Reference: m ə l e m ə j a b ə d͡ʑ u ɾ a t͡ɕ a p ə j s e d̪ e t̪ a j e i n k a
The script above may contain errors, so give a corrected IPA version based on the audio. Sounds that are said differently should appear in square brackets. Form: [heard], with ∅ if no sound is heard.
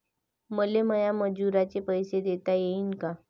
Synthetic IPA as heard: m ə l e m ə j a [m] ə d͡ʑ u ɾ a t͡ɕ [e] p ə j s e d̪ e t̪ a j e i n k a